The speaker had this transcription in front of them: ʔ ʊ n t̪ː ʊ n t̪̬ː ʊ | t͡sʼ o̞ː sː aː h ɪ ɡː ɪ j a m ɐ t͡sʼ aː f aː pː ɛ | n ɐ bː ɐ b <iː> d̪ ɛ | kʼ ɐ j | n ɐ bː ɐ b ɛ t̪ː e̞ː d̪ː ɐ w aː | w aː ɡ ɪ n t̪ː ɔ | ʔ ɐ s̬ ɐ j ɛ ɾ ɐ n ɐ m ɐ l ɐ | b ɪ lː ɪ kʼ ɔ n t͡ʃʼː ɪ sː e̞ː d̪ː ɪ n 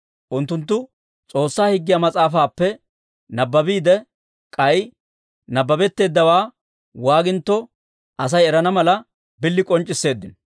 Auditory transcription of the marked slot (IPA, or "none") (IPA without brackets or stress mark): iː